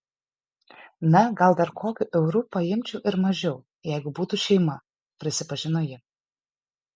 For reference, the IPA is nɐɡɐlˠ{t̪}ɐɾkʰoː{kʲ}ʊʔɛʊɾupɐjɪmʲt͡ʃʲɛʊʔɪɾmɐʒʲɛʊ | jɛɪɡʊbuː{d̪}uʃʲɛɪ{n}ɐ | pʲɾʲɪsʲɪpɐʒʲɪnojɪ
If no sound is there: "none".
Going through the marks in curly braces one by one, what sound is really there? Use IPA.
d̪, kʲ, t̪, m

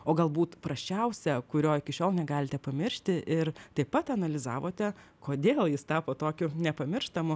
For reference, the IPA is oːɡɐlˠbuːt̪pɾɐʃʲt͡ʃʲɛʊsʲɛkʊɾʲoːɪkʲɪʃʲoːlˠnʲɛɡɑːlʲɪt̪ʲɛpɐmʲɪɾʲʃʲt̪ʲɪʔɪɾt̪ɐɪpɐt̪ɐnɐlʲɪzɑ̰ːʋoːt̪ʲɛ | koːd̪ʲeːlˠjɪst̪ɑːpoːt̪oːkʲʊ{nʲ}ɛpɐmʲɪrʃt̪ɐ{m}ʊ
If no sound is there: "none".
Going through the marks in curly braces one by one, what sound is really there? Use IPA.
nʲ, m

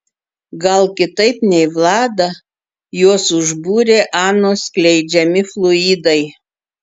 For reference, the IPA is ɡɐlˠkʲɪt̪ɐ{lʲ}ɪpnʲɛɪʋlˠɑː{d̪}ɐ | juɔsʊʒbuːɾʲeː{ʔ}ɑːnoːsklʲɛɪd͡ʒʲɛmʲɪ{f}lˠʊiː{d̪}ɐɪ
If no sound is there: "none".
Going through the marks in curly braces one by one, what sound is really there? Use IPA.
none, d̪, ʔ, f, d̪

